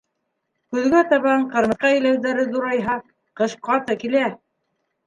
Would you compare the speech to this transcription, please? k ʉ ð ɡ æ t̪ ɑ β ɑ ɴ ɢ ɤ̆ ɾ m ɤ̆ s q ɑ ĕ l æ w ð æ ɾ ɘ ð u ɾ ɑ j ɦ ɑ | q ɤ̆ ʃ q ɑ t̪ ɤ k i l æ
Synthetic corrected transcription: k ʉ ð ɡ æ t̪ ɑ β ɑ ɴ q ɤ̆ ɾ m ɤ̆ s q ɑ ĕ l æ w ð æ ɾ ɘ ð u ɾ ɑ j ɦ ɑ | q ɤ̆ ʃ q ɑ t̪ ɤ k i l æ